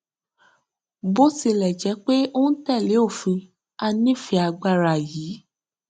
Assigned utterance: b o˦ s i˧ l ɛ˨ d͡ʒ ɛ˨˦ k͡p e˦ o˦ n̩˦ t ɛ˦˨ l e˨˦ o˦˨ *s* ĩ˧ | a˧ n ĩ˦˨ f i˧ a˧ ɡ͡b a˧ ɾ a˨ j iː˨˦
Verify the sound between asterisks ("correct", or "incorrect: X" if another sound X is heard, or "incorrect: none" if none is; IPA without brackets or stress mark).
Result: incorrect: f